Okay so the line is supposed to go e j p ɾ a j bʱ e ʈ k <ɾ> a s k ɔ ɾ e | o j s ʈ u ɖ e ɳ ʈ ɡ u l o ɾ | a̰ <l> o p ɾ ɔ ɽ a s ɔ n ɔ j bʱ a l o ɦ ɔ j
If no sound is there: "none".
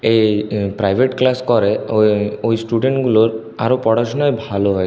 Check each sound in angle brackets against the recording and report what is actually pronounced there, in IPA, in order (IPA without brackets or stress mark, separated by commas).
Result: l, ɾ